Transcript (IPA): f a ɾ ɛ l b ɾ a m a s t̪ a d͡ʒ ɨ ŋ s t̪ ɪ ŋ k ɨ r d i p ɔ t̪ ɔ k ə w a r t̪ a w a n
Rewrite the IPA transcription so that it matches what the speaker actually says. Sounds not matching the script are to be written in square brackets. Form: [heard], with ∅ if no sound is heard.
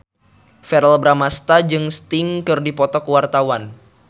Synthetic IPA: f [ɛ] ɾ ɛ l b ɾ a m a s t̪ a d͡ʒ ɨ ŋ s t̪ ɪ ŋ k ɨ r d i p ɔ t̪ ɔ k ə w a r t̪ a w a n